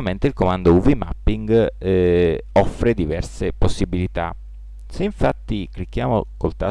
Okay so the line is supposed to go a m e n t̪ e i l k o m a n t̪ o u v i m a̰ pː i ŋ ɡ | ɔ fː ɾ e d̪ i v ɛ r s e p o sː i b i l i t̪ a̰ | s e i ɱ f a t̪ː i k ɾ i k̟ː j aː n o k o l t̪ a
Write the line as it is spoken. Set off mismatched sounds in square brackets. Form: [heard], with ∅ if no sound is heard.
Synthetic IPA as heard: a m e n t̪ e i l k o m a n [d̪] o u v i m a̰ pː i ŋ ɡ | ɔ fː ɾ e d̪ i v ɛ r s e p o sː i b i l i t̪ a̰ | s e i ɱ f a t̪ː i k [l] i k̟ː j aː [m] o k o l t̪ a